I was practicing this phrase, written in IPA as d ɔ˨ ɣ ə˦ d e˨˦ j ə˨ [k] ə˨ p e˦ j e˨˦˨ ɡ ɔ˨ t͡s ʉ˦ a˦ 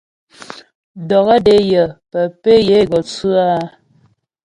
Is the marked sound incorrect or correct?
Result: incorrect